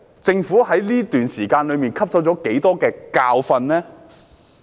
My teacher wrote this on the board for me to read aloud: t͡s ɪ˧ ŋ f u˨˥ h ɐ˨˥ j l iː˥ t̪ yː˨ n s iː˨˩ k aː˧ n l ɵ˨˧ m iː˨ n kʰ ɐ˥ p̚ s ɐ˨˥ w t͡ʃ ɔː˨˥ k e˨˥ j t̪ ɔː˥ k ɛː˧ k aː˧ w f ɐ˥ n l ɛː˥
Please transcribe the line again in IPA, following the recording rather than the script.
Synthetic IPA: t͡s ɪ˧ ŋ f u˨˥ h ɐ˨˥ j l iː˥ t̪ yː˨ n s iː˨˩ k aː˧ n l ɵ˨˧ m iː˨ n kʰ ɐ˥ p̚ s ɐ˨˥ w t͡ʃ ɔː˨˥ k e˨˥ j t̪ ɔː˥ k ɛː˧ k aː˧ w f ɐ˧ n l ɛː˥

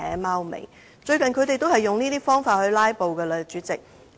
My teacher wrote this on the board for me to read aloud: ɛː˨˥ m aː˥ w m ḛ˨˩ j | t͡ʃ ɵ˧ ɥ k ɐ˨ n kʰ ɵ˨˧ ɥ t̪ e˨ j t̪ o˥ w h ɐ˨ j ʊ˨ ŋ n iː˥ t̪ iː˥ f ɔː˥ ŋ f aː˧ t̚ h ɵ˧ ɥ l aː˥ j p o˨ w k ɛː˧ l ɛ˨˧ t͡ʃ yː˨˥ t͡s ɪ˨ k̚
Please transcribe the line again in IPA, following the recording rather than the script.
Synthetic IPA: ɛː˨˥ m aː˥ w m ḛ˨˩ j | t͡ʃ ɵ˧ ɥ k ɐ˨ n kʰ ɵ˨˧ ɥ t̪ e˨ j t̪ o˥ w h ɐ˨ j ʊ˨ ŋ n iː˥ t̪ iː˥ f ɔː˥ ŋ f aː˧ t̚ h ɵ˧ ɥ l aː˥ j p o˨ w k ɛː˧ l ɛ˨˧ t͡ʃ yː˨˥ t͡s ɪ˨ k̚

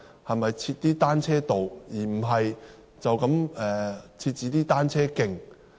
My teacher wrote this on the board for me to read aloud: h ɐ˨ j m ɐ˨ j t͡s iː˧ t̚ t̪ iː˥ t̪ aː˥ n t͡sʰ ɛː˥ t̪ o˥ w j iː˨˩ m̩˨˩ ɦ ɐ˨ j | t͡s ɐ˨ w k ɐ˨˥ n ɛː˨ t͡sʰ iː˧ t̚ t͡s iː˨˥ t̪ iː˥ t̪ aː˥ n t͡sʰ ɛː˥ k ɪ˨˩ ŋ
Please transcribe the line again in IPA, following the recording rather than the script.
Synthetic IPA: h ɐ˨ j m ɐ˨ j t͡sʰ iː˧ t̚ t̪ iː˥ t̪ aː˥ n t͡sʰ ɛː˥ t̪ o˨ w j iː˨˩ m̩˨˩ ɦ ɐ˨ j | t͡s ɐ˨ w k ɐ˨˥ m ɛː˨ t͡sʰ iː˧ t̚ t͡s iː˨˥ t̪ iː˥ t̪ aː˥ n t͡sʰ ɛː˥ k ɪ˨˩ ŋ

